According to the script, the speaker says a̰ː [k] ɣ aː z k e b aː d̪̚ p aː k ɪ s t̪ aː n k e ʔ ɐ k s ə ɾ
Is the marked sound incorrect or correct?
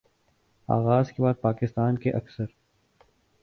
incorrect